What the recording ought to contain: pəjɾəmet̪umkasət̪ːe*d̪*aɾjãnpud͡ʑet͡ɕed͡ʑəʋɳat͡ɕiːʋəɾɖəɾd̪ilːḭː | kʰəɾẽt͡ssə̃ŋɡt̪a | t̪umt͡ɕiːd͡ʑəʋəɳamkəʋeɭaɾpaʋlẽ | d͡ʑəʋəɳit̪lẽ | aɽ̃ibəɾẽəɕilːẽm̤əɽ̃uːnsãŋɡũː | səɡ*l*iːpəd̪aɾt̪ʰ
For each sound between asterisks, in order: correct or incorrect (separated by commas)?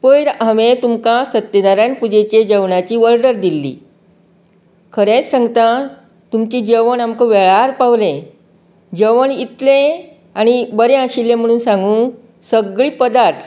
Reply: correct, incorrect